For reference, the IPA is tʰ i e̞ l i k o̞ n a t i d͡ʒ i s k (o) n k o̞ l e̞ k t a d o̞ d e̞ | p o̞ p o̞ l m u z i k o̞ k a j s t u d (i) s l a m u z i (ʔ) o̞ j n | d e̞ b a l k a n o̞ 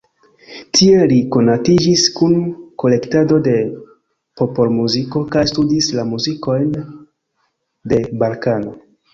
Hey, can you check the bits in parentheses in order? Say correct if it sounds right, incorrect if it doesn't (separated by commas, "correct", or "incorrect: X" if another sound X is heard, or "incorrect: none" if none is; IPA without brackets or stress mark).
incorrect: u, correct, incorrect: k